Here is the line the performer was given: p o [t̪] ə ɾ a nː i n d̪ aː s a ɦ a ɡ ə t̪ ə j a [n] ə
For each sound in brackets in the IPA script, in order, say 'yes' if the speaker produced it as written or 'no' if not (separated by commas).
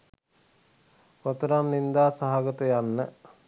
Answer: yes, no